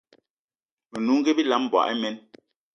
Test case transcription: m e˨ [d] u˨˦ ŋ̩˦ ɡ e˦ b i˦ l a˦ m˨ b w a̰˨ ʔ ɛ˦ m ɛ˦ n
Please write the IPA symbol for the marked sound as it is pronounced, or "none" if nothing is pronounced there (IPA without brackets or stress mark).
n